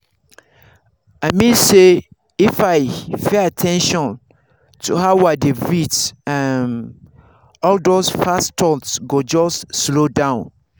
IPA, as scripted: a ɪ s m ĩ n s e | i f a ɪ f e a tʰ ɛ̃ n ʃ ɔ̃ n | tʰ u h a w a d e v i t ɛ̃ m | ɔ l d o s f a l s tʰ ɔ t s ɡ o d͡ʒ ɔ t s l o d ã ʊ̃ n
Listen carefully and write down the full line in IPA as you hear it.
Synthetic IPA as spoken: a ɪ m ĩ n s e | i f a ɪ f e a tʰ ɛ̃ n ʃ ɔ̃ n | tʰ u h a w a d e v i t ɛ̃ n | ɔ l d o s f a s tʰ ɔ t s ɡ o d͡ʒ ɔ s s l o d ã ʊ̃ n